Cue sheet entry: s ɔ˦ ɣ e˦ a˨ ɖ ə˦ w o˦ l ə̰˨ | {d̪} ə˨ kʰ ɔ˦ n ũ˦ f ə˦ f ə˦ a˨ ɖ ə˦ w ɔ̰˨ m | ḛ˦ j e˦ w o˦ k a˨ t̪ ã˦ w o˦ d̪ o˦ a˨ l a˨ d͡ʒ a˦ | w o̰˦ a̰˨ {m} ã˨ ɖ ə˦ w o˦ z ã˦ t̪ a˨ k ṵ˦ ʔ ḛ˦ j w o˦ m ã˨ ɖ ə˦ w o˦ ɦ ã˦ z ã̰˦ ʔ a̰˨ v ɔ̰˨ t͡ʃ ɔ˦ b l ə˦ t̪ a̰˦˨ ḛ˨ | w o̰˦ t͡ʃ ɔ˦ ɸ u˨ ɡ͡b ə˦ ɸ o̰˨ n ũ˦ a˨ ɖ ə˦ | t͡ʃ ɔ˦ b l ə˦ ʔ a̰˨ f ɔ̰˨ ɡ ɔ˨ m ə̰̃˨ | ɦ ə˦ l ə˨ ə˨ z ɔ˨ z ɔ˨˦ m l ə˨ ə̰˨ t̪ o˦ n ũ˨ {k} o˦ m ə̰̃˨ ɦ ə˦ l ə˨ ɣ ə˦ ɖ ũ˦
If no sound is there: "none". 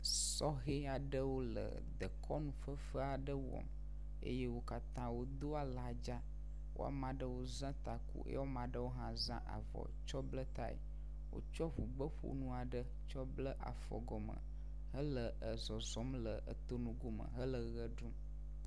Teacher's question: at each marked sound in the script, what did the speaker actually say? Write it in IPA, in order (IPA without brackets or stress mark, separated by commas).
d̪, m, ɡ